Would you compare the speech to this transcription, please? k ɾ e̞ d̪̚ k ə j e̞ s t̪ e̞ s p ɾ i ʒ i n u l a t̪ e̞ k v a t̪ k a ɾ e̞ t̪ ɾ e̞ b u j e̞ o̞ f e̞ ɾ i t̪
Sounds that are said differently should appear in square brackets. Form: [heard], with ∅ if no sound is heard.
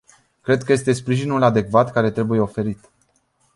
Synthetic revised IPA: k ɾ e̞ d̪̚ k ə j e̞ s t̪ e̞ s p ɾ i ʒ i n u l a [d̪] e̞ k v a t̪ k a ɾ e̞ t̪ ɾ e̞ b u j e̞ o̞ f e̞ ɾ i t̪